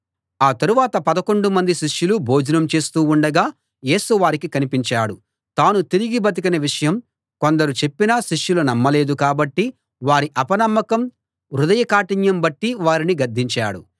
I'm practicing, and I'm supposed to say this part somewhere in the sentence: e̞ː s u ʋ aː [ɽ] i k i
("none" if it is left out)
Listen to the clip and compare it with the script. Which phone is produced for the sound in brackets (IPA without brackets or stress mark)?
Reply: ɾ